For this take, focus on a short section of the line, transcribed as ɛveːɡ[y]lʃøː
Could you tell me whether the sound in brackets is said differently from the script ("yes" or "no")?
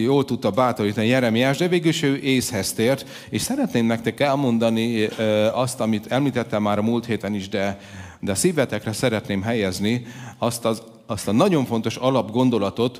no